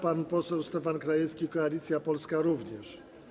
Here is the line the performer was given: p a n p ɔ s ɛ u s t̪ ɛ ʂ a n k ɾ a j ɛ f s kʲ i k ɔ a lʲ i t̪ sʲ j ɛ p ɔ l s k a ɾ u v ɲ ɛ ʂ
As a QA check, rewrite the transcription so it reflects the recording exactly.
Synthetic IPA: p a n p ɔ s ɛ w s t̪ ɛ f a n k ɾ a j ɛ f s kʲ i k ɔ a lʲ i t̪ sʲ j a p ɔ l s k a ɾ u v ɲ ɛ ʂ